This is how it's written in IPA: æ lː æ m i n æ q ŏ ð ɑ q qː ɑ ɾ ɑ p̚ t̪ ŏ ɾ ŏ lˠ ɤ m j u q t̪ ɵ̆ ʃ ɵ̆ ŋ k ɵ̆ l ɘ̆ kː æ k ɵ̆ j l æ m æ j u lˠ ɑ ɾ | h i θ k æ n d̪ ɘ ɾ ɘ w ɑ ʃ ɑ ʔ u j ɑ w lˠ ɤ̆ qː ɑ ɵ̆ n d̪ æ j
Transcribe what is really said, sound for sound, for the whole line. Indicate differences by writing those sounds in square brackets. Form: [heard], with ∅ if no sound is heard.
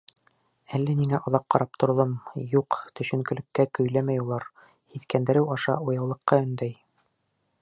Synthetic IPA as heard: æ lː æ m i [ŋ] æ [ʔ] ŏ ð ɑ q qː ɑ ɾ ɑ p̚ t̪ ŏ ɾ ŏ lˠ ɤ m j u q t̪ ɵ̆ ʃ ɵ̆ ŋ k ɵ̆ l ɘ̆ kː æ k ɵ̆ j l æ m æ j u lˠ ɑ ɾ | h i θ k æ n d̪ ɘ ɾ ɘ w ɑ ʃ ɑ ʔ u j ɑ w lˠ ɤ̆ qː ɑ ɵ̆ n d̪ æ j

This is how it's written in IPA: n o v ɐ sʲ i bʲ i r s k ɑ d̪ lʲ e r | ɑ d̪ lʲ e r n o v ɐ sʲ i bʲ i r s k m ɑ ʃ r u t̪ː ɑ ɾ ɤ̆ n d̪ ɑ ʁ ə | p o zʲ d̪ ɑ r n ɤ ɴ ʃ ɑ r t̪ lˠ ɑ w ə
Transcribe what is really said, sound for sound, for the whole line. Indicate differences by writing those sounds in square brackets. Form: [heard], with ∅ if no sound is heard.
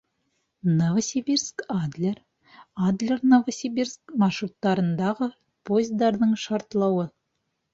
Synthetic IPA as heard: n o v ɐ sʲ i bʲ i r s k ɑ d̪ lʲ e r | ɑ d̪ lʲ e r n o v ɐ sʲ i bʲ i r s k m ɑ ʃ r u t̪ː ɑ ɾ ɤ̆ n d̪ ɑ ʁ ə | p o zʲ d̪ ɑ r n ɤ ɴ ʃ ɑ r t̪ lˠ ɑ w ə

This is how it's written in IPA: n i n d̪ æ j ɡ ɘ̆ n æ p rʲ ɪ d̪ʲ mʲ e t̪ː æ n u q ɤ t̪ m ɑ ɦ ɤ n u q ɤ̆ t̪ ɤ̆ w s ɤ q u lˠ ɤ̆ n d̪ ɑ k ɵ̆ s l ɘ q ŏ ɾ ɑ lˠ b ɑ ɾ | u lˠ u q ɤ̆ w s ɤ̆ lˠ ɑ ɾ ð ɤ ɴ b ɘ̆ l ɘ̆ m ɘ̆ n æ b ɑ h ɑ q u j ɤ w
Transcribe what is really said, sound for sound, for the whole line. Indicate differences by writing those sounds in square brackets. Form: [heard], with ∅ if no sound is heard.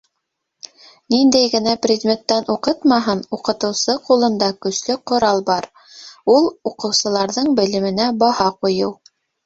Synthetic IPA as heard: n i n d̪ æ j ɡ ɘ̆ n æ p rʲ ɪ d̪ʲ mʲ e t̪ː æ n u q ɤ t̪ m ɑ ɦ ɤ n u q ɤ̆ t̪ ɤ̆ w s ɤ q u lˠ ɤ̆ n d̪ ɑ k ɵ̆ s l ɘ q ŏ ɾ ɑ lˠ b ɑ ɾ | u lˠ u q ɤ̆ w s ɤ̆ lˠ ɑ ɾ ð ɤ ɴ b ɘ̆ l ɘ̆ m ɘ̆ n æ b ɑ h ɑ q u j ɤ w

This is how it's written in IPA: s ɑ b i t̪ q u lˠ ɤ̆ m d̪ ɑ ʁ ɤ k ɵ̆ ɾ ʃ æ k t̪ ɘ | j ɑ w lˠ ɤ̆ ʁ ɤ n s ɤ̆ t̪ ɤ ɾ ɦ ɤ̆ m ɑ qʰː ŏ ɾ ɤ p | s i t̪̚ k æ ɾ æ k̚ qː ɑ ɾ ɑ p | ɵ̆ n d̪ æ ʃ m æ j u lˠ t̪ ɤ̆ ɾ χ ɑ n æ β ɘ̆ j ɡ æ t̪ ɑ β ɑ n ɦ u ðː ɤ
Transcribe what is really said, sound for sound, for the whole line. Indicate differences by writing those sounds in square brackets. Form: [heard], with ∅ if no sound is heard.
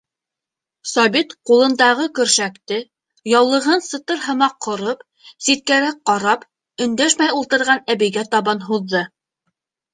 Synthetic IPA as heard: s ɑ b i t̪ q u lˠ ɤ̆ [n] d̪ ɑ ʁ ɤ k ɵ̆ ɾ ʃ æ k t̪ ɘ | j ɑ w lˠ ɤ̆ ʁ ɤ n s ɤ̆ t̪ ɤ ɾ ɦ ɤ̆ m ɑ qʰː ŏ ɾ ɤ p | s i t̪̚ k æ ɾ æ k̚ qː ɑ ɾ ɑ p | ɵ̆ n d̪ æ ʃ m æ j u lˠ t̪ ɤ̆ ɾ [ʁ] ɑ n æ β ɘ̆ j ɡ æ t̪ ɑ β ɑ n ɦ u ðː ɤ

